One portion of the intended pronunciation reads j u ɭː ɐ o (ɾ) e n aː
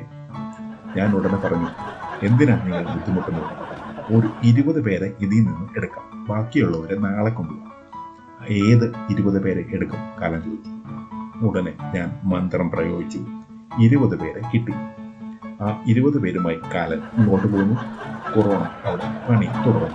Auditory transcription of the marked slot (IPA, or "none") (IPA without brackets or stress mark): ɾ